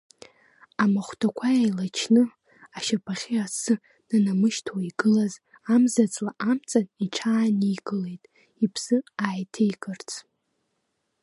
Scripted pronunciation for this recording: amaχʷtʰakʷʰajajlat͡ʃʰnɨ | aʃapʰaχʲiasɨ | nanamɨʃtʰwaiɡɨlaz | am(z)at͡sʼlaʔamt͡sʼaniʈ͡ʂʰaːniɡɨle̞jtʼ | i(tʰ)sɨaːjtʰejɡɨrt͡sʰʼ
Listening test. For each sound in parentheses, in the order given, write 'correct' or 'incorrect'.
correct, incorrect

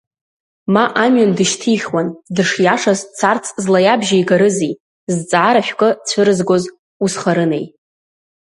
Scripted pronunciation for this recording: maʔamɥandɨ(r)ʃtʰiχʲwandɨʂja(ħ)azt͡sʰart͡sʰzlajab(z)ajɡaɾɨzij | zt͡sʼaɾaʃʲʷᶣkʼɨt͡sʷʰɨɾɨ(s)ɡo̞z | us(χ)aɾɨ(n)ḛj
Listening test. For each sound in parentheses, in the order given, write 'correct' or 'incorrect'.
incorrect, incorrect, incorrect, incorrect, correct, correct

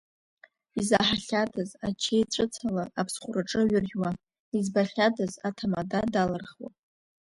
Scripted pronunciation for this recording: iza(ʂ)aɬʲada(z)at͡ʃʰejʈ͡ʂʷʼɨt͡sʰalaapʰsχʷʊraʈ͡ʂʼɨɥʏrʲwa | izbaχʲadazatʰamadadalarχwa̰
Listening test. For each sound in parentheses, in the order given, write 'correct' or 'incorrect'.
incorrect, correct

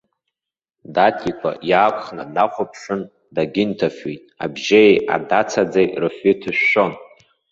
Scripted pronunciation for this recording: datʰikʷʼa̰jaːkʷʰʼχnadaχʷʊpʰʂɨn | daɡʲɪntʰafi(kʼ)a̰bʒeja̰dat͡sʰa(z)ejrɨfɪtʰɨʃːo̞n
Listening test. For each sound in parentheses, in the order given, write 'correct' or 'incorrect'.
incorrect, incorrect

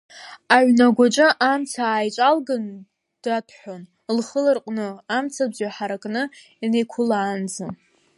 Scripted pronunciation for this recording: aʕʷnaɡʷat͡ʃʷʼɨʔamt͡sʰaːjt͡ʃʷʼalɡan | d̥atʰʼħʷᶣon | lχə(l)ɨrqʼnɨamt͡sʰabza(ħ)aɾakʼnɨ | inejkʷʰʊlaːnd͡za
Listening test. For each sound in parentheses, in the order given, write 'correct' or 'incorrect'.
correct, correct

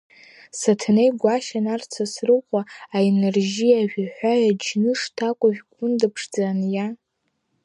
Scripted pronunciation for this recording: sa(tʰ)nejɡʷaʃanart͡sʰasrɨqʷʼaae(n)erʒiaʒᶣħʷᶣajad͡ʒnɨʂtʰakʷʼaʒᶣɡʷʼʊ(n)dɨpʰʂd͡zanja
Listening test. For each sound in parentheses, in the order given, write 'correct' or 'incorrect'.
correct, correct, correct

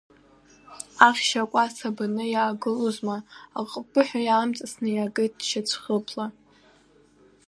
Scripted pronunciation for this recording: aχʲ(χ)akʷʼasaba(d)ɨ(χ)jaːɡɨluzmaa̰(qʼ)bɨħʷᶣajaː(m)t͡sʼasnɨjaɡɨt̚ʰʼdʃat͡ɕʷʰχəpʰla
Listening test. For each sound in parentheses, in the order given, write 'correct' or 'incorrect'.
incorrect, incorrect, incorrect, correct, correct

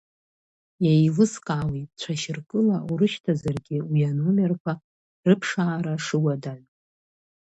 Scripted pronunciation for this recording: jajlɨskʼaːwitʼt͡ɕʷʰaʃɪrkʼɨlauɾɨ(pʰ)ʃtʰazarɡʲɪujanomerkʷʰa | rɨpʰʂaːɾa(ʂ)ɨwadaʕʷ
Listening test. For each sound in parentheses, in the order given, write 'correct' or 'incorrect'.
incorrect, correct

